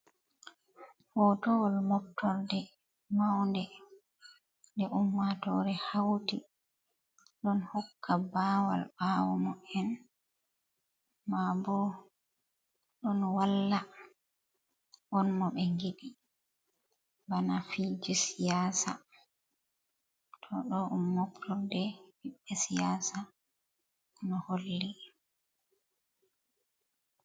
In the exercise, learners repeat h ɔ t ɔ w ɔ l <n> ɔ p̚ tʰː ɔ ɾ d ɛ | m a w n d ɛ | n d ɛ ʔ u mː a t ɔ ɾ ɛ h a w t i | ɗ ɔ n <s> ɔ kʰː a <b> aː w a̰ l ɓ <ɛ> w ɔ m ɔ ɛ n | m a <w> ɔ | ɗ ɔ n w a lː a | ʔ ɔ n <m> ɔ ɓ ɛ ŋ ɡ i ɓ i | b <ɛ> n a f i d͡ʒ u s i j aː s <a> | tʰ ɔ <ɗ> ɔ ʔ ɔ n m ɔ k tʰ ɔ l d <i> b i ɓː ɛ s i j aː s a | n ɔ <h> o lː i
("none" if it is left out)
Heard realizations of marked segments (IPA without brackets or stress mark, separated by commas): m, h, b, a, b, m, a, a, ɗ, ɛ, h